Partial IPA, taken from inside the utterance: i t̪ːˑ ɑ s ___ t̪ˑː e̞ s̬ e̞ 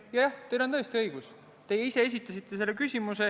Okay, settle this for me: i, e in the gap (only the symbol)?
i